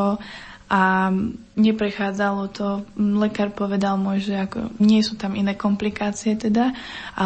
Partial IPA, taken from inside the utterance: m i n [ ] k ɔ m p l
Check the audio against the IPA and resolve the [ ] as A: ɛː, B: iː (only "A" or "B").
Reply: A